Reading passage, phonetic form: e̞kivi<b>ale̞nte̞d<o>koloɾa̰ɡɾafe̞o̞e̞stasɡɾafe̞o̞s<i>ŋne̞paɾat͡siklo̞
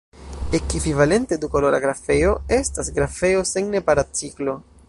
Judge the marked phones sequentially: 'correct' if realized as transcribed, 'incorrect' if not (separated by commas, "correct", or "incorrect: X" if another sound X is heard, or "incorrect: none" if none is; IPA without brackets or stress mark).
incorrect: v, incorrect: u, incorrect: e